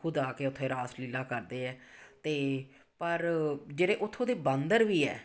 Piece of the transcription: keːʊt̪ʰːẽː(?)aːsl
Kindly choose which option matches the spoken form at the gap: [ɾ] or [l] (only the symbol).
ɾ